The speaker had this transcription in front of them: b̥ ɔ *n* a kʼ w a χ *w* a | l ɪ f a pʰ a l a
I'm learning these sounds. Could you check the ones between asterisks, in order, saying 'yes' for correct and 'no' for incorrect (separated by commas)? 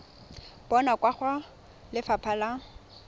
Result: yes, yes